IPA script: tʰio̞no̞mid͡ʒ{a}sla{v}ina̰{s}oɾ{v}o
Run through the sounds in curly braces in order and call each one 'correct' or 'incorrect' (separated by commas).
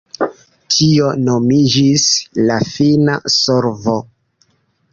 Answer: incorrect, incorrect, correct, correct